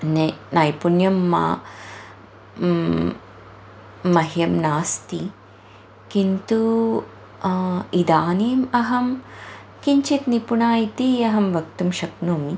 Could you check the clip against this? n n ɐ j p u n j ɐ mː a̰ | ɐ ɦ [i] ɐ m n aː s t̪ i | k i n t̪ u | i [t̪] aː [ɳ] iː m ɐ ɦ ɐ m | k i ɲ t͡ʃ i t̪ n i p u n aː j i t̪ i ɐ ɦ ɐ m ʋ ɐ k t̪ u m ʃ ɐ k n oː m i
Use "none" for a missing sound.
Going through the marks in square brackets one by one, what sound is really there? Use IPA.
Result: j, d̪, n

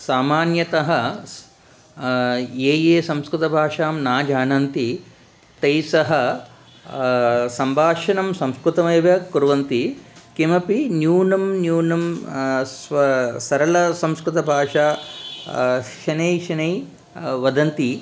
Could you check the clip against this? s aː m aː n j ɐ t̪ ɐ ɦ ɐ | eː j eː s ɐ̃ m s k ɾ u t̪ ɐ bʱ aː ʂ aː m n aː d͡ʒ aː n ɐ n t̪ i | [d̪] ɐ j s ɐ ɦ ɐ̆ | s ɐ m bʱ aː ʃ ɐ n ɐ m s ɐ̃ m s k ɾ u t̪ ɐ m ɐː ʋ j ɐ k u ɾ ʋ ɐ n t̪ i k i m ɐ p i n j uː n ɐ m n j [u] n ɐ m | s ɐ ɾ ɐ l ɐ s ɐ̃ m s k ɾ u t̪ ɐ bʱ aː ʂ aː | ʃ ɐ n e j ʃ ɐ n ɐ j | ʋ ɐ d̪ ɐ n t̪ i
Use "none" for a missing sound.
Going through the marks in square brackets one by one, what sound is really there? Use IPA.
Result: t̪, uː

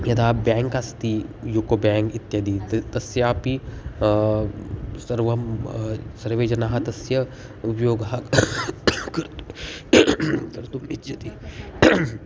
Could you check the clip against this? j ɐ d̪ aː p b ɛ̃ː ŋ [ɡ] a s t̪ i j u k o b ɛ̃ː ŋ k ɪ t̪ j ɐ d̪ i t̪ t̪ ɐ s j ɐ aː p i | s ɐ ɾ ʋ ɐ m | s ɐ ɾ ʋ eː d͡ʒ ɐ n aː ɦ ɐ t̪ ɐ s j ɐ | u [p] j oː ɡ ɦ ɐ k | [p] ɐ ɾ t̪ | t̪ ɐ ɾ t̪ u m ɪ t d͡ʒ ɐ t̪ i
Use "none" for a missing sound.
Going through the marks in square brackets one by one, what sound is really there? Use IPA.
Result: k, p, k

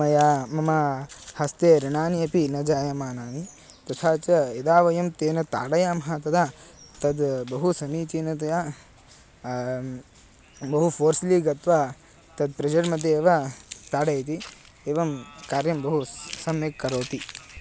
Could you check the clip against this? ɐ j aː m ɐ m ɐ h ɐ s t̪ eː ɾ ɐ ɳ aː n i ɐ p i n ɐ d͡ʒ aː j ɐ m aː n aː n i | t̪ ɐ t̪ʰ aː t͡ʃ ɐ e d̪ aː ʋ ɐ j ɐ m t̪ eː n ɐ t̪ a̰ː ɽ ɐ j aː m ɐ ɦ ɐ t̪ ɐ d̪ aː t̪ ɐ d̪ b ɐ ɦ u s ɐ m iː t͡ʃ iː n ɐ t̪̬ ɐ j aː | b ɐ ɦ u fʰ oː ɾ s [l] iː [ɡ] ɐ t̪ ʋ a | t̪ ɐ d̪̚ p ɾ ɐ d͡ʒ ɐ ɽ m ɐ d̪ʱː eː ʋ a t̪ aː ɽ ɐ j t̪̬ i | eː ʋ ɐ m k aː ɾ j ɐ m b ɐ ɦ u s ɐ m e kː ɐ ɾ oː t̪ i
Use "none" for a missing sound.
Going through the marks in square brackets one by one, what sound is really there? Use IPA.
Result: l, ɡ

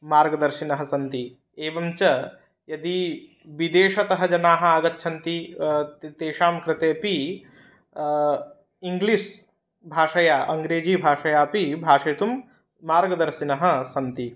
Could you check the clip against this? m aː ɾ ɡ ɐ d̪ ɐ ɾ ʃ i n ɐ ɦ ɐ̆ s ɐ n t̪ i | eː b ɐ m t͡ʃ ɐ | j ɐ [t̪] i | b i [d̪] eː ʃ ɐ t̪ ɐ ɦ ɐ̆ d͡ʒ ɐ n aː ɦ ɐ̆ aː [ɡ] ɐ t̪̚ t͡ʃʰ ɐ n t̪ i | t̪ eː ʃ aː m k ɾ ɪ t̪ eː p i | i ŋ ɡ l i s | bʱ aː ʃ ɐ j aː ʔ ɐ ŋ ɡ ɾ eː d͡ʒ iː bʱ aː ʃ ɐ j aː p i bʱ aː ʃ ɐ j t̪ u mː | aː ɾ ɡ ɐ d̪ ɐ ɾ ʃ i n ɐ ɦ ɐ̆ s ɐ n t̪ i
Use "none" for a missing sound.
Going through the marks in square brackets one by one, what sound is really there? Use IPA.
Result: d̪, d̪, ɡ

